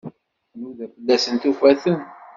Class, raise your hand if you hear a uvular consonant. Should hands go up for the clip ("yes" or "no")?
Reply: no